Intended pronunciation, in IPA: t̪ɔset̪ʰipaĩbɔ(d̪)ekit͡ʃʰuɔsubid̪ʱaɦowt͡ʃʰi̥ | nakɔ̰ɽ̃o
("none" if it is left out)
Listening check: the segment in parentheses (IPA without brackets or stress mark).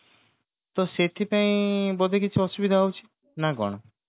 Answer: d̪